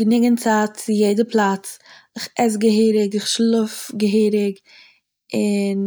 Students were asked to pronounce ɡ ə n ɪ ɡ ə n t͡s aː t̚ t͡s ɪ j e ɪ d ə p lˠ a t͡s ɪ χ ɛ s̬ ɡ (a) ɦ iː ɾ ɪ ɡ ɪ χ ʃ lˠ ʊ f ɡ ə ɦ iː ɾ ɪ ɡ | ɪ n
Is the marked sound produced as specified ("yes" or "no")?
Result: no